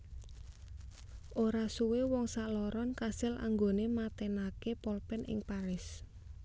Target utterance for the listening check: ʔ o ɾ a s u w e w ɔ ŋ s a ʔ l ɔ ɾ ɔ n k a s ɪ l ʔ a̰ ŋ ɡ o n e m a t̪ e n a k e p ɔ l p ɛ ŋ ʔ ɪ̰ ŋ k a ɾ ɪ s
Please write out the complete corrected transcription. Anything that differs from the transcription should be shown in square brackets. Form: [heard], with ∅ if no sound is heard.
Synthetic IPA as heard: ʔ o ɾ a s u w e w ɔ ŋ s a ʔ l ɔ ɾ ɔ n k a s ɪ l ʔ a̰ ŋ ɡ o n e m a t̪ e n a k e p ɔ l p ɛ [n] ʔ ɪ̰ ŋ [p] a ɾ ɪ s

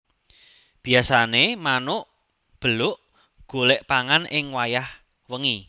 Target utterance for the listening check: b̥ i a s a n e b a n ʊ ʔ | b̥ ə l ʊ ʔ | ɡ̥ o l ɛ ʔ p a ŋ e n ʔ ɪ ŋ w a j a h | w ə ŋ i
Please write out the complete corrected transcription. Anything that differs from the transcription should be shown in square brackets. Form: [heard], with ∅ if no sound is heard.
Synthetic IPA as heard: b̥ i a s a n e [m] a n ʊ ʔ | b̥ ə l ʊ ʔ | ɡ̥ o l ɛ ʔ p a ŋ [a] n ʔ ɪ ŋ w a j a h | w ə ŋ i

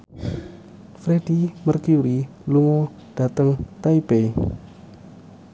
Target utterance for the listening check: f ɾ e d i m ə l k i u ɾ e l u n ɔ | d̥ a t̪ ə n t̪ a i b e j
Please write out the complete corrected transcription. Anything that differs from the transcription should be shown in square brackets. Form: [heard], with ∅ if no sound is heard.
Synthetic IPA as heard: f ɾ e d i m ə [r] k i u ɾ [i] l u [ŋ] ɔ | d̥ a t̪ ə [ŋ] t̪ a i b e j

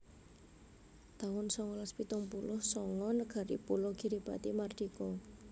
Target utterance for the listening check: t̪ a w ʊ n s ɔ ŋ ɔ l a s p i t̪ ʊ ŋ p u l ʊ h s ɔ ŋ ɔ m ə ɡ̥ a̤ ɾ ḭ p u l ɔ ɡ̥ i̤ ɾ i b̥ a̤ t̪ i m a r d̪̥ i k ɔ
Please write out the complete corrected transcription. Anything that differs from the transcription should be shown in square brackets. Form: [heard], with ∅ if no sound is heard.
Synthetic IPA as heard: t̪ a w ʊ n s ɔ ŋ ɔ l a s p i t̪ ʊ ŋ p u l ʊ h s ɔ ŋ ɔ [n] ə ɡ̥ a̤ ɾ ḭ p u l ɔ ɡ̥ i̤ ɾ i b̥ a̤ t̪ i m a r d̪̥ i k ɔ

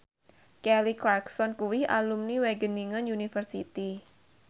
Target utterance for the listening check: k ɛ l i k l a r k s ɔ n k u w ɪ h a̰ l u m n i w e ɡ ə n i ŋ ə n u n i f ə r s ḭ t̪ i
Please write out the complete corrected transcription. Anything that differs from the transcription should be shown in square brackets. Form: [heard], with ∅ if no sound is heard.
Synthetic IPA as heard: k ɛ l i k l a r k s ɔ n k u w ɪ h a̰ l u m n i w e ɡ ə n i ŋ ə n u n i f ə r s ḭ t̪ i

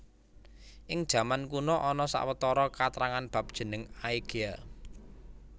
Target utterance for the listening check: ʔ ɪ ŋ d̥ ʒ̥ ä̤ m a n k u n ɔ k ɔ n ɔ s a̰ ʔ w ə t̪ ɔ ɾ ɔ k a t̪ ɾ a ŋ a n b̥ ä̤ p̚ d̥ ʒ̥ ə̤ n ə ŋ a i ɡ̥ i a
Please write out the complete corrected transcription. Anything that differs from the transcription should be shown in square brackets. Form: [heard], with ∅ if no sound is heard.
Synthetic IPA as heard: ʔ ɪ ŋ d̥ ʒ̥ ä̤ m a n k u n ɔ [ʔ] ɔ n ɔ s a̰ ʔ w ə t̪ ɔ ɾ ɔ k a t̪ ɾ a ŋ a n b̥ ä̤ p̚ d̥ ʒ̥ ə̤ n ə ŋ a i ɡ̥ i a

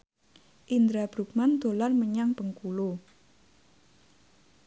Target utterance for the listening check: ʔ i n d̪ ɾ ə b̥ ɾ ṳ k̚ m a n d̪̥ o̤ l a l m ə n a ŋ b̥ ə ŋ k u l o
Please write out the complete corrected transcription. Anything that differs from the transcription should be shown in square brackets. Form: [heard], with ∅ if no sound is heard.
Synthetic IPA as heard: ʔ i n d̪ ɾ [a] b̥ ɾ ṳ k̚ m a n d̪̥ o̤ l a [r] m ə [ɲ] a ŋ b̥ ə ŋ k u l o

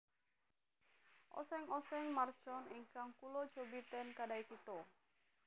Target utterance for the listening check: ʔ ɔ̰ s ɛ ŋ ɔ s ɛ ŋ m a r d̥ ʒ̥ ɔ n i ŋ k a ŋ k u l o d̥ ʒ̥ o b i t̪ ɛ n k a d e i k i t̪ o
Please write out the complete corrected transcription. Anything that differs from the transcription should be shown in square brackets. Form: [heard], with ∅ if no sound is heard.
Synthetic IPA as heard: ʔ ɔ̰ s ɛ ŋ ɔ s ɛ ŋ m a r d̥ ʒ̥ ɔ n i ŋ k a ŋ k u l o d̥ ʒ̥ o b i t̪ ɛ n k a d [a] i k i t̪ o

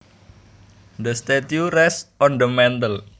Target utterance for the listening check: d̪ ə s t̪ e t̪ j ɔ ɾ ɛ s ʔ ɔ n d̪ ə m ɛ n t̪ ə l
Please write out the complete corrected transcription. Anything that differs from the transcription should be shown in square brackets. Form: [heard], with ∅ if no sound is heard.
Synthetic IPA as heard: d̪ ə s t̪ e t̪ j [u] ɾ ɛ s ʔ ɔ n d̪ ə m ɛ n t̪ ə l

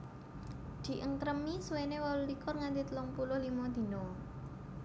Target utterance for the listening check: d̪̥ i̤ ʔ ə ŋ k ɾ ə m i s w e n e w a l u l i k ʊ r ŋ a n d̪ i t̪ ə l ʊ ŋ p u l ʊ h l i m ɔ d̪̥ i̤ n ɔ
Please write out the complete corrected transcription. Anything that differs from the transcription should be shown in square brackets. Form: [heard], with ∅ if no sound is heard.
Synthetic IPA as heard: d̪̥ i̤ ʔ ə ŋ k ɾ ə m i s w e n e w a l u l i k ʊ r ŋ a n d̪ i t̪ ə l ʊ ŋ p u l ʊ h l i m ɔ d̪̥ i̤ n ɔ

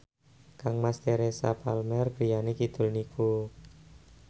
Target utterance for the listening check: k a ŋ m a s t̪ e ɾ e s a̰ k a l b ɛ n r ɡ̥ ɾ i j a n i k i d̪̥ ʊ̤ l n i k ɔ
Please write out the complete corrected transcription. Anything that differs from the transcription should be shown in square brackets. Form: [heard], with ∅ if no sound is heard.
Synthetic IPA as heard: k a ŋ m a s t̪ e ɾ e s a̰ [p] a l [m] ɛ [∅] r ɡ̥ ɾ i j a n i k i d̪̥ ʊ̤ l n i k [u]

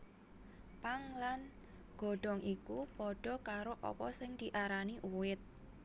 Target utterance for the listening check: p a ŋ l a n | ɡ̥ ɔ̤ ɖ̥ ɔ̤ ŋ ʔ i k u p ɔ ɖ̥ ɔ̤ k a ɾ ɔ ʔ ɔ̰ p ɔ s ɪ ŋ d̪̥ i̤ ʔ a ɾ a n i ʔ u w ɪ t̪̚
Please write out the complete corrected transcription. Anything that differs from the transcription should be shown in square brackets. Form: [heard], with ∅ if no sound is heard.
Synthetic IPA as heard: p a ŋ l a n | ɡ̥ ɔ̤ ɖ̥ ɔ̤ ŋ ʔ i k u p ɔ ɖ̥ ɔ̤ k a ɾ [o] ʔ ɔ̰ p ɔ s ɪ ŋ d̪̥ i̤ ʔ a ɾ a n i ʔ u w ɪ t̪̚

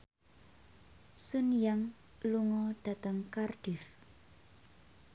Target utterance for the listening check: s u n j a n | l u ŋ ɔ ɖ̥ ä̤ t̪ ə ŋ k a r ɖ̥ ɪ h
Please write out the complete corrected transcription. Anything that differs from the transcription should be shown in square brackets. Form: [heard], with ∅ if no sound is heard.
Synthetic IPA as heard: s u n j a [ŋ] | l u ŋ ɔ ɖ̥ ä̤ t̪ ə ŋ k a r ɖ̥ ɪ [f]

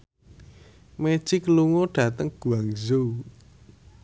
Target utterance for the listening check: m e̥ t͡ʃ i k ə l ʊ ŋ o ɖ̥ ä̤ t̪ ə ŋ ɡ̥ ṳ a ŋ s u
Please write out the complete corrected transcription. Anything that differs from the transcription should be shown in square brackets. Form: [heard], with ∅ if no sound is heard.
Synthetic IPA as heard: m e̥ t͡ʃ i k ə l [u] ŋ o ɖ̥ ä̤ t̪ ə ŋ ɡ̥ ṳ a ŋ [z] u

